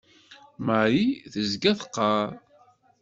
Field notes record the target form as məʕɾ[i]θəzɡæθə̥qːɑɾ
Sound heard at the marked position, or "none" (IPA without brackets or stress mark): i